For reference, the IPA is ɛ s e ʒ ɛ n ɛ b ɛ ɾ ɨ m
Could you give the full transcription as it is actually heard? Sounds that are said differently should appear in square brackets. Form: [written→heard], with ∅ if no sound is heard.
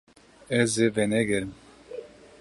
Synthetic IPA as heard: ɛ [s→z] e [ʒ→v] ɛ n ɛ [b→ɡ] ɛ ɾ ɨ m